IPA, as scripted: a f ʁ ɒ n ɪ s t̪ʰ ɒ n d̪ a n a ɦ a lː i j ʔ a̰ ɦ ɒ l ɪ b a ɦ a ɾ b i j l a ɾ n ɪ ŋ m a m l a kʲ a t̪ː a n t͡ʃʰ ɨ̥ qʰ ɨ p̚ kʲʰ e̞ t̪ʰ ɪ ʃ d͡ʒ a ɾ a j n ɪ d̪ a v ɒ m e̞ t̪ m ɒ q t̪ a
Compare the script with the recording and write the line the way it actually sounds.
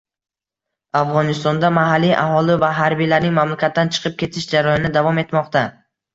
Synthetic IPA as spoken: a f ʁ ɒ n ɪ s t̪ ɒ n d̪ a m a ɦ a lː i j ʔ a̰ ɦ ɒ l ɪ v a ɦ a ɾ b i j l a ɾ n ɪ ŋ m a m l a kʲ a t̪ː a n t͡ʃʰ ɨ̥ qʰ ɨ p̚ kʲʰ e̞ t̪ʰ ɪ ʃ d͡ʒ a ɾ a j n ɪ d̪ a v ɒ m e̞ t̪ m ɒ q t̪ a